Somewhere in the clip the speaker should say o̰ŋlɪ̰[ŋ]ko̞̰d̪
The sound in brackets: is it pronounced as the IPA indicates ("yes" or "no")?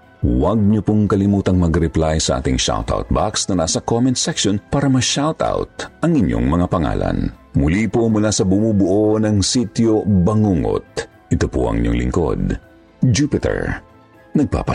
yes